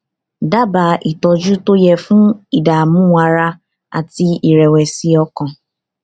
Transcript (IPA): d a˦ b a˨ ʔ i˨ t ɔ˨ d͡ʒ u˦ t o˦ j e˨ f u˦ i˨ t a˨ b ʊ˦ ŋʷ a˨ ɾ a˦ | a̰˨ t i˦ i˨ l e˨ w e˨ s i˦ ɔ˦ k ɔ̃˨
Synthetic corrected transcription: d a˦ b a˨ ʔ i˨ t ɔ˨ d͡ʒ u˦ t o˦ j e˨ f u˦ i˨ d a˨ m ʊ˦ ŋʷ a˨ ɾ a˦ | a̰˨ t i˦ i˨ ɾ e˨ w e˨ s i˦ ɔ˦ k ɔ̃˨

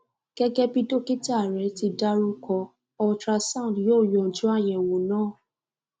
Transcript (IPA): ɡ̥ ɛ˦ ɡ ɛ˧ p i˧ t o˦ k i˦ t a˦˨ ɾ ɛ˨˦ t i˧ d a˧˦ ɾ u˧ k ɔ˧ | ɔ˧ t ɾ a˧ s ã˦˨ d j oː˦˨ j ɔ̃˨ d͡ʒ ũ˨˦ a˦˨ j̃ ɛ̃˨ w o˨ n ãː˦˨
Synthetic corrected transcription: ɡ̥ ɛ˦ ɡ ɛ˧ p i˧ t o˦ k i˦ t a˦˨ ɾ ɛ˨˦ t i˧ d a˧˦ ɾ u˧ k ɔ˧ | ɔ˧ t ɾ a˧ s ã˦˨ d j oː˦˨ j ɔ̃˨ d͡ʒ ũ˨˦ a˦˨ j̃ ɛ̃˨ w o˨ n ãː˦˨

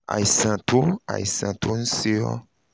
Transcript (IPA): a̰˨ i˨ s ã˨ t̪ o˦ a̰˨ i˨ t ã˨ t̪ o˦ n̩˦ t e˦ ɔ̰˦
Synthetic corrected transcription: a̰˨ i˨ s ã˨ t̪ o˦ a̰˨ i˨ s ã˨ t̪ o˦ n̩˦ s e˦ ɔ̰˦

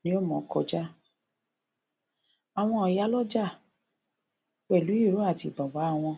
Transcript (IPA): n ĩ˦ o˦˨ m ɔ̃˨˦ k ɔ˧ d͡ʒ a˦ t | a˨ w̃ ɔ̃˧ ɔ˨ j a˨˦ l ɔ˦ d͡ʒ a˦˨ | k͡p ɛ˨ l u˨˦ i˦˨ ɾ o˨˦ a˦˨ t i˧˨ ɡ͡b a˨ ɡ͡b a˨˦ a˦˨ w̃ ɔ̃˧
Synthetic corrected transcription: n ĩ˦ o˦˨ m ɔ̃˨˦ k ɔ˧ d͡ʒ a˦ | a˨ w̃ ɔ̃˧ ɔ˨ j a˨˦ l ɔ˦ d͡ʒ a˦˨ | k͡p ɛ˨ l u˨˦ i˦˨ ɾ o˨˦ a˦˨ t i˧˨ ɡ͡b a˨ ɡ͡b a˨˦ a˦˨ w̃ ɔ̃˧

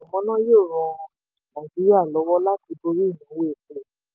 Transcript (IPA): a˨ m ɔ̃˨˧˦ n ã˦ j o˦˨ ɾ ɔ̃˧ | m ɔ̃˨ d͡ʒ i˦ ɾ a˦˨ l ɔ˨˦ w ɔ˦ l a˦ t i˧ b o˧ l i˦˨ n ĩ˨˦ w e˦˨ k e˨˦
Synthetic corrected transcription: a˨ m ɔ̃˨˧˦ n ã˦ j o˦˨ ɾ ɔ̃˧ | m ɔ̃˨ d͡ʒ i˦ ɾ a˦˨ l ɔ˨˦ w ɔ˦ l a˦ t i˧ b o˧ ɾ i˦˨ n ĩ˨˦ w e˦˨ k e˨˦

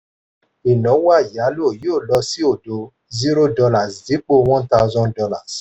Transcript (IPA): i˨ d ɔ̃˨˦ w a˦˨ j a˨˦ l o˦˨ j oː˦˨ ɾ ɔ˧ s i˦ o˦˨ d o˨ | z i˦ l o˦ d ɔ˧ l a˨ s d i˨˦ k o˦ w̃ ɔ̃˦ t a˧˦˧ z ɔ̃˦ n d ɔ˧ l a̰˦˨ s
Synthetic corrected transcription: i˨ n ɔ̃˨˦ w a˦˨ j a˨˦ l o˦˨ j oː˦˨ l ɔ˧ s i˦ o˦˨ d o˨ | z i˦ ɾ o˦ d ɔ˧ l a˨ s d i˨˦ k͡p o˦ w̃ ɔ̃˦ t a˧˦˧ z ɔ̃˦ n d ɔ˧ l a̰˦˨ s

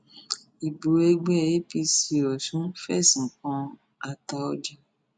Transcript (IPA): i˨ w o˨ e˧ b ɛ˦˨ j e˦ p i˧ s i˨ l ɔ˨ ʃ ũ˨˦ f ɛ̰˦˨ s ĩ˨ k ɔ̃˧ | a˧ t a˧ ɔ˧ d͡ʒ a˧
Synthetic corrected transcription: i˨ b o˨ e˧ ɡ͡b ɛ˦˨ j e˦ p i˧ s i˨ ɾ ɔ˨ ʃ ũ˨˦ f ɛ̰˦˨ s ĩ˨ k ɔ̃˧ | a˧ t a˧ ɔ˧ d͡ʒ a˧

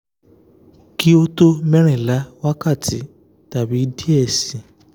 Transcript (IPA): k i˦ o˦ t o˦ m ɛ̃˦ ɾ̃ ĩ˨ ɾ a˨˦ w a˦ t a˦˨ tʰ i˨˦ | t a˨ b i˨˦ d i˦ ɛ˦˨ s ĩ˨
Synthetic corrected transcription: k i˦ o˦ t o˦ m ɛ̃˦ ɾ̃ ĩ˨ l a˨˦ w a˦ k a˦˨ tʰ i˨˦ | t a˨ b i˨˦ d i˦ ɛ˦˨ s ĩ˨

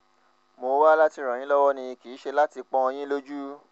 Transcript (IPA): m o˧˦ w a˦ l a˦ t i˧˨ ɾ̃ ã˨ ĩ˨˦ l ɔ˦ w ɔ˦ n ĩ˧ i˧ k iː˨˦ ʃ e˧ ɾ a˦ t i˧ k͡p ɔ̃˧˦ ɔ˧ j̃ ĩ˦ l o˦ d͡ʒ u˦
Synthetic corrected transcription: m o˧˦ w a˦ l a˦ t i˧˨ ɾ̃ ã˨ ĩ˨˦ l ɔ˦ w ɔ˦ n ĩ˧ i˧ k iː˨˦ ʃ e˧ l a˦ t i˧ k͡p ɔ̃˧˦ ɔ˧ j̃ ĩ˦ l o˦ d͡ʒ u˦

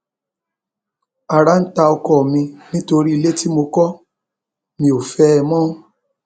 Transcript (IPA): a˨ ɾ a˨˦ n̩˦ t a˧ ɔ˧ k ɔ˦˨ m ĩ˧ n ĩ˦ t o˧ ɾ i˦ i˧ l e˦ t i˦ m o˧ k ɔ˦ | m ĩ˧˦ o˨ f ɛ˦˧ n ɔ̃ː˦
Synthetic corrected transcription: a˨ ɾ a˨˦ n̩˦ t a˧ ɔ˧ k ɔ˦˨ m ĩ˧ n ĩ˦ t o˧ ɾ i˦ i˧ l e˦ t i˦ m o˧ k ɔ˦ | m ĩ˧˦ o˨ f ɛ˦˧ m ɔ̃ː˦

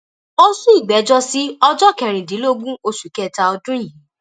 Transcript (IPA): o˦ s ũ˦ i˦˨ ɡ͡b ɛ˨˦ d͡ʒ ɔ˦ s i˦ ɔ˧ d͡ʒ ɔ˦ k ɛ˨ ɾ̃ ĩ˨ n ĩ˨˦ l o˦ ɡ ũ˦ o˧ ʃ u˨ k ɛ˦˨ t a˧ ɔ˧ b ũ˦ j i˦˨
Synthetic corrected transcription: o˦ s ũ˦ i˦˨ ɡ͡b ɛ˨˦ d͡ʒ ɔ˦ s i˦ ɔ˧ d͡ʒ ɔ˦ k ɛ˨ ɾ̃ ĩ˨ d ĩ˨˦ l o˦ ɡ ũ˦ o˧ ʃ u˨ k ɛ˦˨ t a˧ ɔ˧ d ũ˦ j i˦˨

